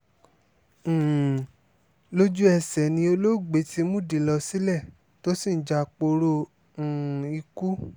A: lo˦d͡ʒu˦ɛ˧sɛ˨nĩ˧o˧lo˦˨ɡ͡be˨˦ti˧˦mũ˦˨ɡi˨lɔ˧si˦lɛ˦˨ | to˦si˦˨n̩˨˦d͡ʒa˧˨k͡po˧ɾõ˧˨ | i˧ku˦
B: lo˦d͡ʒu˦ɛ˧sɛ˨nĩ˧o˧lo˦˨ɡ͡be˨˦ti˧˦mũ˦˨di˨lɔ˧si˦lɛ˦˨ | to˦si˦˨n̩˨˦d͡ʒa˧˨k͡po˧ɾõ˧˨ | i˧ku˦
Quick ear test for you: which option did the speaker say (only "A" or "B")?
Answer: B